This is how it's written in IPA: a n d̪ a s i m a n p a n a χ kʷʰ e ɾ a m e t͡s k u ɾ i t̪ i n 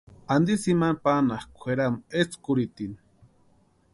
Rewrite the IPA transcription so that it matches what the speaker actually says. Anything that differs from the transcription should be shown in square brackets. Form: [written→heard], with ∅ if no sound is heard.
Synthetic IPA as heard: a n d̪ [a→i] s i m a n p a n a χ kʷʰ e ɾ a m e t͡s k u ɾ i t̪ i n